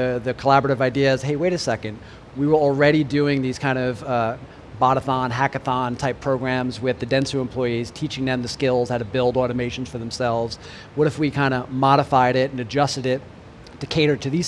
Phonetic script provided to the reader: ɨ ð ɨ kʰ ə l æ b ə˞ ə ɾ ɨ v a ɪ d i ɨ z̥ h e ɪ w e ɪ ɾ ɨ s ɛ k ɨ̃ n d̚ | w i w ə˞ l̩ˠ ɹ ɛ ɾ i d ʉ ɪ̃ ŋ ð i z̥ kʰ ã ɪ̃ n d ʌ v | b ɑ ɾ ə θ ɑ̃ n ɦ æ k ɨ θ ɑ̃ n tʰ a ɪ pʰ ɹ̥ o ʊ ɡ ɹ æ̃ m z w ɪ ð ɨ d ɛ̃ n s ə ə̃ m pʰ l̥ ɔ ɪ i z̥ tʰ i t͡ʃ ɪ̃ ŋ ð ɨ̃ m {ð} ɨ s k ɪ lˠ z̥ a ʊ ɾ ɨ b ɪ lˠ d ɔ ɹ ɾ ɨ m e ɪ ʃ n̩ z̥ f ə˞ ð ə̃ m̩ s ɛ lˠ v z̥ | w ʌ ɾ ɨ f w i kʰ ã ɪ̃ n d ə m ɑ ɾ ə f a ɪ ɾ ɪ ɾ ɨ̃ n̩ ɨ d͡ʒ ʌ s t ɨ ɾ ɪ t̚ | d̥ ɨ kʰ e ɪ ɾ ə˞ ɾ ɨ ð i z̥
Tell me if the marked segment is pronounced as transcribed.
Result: yes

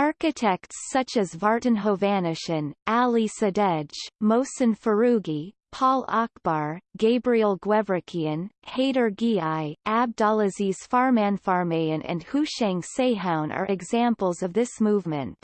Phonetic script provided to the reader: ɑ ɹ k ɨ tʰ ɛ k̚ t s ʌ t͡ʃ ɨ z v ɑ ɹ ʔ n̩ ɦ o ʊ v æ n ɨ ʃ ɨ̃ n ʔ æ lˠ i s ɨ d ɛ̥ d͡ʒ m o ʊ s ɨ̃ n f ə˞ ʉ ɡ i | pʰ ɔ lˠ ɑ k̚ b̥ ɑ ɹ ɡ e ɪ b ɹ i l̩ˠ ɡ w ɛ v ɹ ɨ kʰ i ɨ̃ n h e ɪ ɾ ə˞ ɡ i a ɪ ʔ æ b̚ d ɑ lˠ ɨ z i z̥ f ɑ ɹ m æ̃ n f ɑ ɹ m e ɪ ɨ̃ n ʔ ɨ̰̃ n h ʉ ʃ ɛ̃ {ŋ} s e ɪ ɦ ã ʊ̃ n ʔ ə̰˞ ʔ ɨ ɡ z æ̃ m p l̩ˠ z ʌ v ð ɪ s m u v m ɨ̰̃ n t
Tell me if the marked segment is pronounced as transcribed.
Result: yes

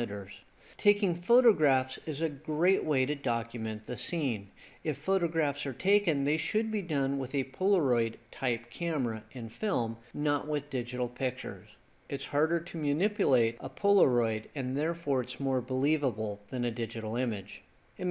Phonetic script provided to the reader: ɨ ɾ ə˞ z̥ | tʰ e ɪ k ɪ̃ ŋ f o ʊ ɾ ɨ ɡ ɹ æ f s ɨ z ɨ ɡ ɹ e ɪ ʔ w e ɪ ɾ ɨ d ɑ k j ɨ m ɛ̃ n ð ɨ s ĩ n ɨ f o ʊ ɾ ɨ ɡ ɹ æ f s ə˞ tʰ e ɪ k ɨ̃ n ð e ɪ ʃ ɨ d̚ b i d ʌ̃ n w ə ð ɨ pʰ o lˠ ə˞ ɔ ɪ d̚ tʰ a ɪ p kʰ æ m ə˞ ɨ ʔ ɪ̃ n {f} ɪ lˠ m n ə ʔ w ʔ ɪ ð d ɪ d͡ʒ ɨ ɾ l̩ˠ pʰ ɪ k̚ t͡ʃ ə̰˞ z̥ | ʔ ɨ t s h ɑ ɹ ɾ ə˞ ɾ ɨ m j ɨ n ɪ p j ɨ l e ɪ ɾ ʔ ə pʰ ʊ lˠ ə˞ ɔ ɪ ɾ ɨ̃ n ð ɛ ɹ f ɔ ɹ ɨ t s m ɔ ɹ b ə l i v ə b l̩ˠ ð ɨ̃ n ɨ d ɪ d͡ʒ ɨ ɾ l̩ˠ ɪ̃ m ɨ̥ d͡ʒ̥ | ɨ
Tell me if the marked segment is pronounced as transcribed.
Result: yes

